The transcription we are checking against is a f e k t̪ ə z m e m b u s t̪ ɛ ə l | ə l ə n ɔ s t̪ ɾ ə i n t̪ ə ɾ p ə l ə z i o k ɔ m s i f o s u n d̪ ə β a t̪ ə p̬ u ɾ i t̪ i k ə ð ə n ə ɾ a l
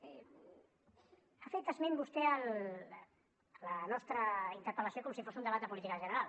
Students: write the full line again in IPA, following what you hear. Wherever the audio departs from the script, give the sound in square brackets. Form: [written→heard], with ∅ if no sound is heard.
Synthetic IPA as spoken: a f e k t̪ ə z m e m b u s t̪ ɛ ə l | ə l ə n ɔ s t̪ ɾ ə i n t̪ ə ɾ p ə l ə [z→s] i o k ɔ m s i f o s u n d̪ ə β a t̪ ə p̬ u [ɾ→l] i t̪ i k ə [ð→ʒ] ə n ə ɾ a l